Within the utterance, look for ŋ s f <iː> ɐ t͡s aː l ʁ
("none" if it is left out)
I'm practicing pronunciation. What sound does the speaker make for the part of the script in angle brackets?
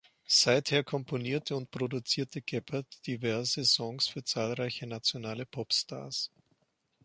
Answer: yː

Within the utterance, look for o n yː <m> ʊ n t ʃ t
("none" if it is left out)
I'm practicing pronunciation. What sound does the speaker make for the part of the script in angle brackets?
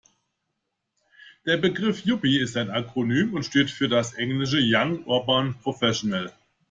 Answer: m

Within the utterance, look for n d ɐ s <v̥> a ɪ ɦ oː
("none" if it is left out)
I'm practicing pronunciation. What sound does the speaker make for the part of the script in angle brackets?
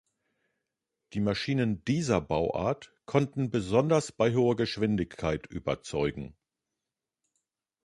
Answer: b̥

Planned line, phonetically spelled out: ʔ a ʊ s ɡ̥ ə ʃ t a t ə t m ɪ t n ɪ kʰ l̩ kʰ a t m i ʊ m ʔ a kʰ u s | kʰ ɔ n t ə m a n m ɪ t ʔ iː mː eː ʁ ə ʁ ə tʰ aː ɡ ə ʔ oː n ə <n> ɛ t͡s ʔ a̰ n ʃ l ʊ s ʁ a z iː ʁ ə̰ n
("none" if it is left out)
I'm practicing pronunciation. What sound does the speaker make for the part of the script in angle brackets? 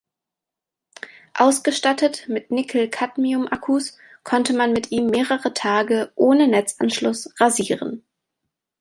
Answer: n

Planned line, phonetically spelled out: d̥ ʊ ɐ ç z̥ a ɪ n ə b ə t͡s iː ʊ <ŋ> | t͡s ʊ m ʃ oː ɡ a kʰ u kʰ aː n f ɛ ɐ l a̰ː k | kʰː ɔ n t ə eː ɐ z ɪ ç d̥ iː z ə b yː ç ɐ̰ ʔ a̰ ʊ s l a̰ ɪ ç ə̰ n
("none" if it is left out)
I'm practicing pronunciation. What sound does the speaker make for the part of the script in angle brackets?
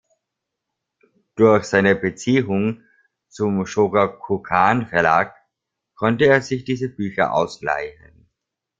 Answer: ŋ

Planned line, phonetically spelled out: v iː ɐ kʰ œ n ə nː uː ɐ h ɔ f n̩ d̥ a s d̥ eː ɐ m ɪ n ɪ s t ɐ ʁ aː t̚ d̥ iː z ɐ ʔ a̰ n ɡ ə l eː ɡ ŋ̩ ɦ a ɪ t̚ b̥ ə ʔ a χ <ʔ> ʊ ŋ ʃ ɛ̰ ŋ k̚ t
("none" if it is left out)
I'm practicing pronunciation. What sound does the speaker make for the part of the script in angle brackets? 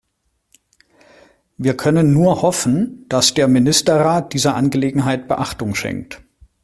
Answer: t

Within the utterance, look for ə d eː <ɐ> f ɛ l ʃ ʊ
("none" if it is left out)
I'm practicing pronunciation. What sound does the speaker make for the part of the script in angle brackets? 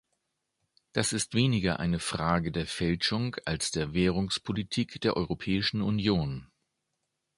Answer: ɐ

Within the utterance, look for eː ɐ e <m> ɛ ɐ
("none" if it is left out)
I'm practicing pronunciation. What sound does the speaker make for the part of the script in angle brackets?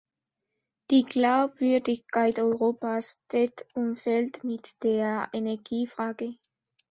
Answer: n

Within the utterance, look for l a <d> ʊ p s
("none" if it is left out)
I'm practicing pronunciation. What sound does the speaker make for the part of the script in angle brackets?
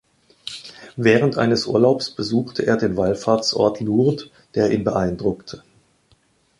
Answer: none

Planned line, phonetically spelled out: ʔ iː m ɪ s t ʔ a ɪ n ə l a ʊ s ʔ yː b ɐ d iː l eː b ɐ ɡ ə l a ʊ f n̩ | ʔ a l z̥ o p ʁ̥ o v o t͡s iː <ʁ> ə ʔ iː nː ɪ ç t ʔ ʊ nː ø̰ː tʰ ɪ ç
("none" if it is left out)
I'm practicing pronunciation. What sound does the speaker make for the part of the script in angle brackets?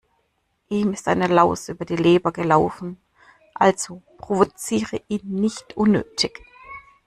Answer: ʁ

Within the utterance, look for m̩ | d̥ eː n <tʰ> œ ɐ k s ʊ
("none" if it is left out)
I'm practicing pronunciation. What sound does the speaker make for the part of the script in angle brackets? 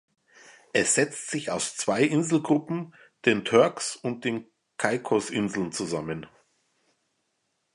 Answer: tʰ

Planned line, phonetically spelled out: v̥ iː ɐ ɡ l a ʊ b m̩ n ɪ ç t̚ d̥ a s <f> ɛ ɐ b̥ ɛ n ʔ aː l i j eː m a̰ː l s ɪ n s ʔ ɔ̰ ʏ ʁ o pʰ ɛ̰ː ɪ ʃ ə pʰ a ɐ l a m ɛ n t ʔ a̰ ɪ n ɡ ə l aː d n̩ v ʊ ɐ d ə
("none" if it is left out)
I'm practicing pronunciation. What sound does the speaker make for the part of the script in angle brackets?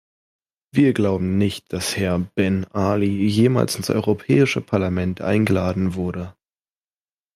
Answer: h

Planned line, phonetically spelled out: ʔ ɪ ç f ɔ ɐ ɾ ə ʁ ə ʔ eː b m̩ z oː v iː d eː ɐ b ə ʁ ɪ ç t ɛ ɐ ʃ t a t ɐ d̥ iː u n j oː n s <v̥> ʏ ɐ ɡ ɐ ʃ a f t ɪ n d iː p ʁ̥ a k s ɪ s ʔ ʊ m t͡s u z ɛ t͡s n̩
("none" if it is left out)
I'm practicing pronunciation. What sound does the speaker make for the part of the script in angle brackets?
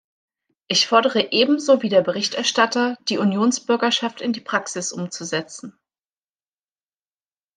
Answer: b̥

